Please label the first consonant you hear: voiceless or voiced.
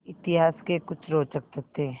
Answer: voiceless